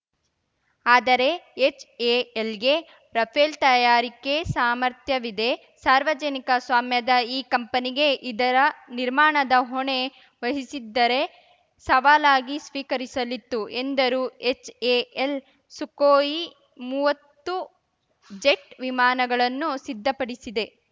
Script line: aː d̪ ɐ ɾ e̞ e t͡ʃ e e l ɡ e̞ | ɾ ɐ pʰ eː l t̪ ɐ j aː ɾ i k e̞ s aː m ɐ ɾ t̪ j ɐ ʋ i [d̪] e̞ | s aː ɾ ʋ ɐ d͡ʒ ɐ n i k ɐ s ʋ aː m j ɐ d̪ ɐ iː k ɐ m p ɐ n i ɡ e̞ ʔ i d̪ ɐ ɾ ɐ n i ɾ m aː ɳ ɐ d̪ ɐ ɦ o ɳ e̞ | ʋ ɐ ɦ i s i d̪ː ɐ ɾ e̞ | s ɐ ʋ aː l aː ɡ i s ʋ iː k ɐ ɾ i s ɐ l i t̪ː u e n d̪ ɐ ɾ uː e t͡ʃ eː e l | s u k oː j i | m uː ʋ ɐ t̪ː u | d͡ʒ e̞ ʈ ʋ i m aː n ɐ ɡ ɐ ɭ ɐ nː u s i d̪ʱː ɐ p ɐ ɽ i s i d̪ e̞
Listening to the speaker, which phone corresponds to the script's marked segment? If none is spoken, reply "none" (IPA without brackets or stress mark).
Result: d̪